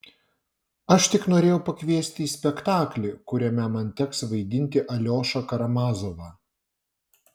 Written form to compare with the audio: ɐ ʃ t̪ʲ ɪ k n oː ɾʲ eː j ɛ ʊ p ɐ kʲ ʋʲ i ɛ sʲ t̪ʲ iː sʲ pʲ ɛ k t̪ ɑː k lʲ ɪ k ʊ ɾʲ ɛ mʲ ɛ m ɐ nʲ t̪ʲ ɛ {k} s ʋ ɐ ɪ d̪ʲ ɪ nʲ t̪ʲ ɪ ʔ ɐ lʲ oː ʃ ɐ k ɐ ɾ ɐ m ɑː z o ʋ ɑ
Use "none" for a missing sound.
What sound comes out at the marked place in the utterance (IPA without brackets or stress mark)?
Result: k